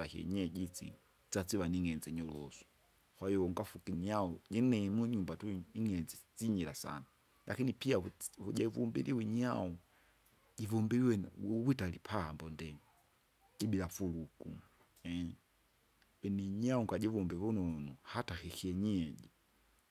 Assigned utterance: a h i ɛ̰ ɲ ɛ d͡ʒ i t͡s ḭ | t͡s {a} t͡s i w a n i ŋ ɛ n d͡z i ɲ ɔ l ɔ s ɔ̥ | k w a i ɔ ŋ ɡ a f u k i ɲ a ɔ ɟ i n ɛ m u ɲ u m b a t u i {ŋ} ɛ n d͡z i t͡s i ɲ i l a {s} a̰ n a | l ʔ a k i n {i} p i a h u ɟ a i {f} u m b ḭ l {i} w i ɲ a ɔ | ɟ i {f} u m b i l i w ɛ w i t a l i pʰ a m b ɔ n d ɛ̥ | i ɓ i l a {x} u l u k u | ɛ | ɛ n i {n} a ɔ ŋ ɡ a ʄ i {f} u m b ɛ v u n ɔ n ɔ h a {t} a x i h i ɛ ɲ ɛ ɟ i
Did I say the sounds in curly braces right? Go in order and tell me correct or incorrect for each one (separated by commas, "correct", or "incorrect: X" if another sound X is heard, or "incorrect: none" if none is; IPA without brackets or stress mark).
correct, correct, correct, correct, incorrect: v, correct, incorrect: v, incorrect: f, incorrect: ɲ, incorrect: v, correct